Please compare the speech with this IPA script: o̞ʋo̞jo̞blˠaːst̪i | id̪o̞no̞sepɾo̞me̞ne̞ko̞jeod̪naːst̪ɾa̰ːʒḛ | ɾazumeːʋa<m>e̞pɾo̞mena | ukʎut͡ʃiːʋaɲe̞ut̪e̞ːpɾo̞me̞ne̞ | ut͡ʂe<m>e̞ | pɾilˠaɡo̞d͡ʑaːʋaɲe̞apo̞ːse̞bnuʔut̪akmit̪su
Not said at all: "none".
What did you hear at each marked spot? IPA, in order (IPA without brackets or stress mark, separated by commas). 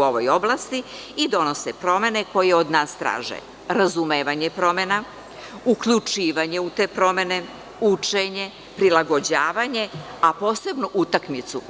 ɲ, ɲ